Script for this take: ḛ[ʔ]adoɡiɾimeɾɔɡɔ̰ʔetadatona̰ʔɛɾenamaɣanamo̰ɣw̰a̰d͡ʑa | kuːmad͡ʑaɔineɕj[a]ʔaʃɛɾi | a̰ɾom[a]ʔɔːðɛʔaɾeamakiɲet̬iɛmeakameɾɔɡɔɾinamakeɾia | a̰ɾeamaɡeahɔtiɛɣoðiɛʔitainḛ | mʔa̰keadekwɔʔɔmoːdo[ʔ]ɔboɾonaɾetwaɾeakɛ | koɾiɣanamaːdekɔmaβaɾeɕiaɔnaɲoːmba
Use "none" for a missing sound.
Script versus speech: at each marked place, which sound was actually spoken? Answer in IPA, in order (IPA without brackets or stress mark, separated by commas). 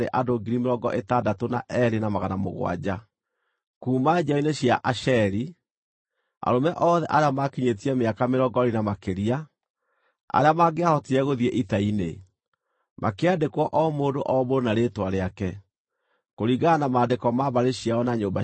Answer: ʔ, a, ɛ, ʔ